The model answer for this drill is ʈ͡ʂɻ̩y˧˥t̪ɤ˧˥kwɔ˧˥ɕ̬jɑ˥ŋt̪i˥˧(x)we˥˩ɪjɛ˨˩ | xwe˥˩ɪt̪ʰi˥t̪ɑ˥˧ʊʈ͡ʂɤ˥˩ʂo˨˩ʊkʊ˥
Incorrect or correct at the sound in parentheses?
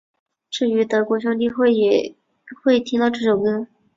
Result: correct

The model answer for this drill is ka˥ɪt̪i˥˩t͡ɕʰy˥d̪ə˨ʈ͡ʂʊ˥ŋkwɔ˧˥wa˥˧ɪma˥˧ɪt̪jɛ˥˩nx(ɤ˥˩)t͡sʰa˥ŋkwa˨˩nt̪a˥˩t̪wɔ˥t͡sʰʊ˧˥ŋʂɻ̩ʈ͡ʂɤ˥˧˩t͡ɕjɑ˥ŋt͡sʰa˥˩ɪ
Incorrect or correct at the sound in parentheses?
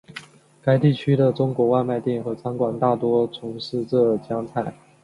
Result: incorrect: ɤ˧˥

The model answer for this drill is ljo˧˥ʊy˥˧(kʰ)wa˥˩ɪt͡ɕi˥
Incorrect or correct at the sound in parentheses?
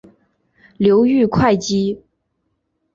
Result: correct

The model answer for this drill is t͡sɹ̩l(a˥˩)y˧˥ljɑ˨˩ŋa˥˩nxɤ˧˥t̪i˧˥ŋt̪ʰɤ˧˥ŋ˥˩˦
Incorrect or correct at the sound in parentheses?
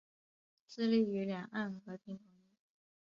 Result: incorrect: i˥˩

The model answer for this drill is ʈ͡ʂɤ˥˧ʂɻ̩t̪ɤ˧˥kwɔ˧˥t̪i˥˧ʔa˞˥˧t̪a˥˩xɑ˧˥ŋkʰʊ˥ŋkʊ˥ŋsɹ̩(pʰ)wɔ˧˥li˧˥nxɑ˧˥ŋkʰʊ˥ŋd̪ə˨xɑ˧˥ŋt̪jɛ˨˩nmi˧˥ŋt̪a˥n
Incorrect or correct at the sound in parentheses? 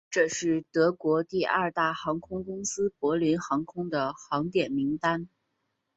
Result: incorrect: p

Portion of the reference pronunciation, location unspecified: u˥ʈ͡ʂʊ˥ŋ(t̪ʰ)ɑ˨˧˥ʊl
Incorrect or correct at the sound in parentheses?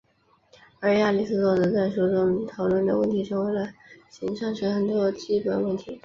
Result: correct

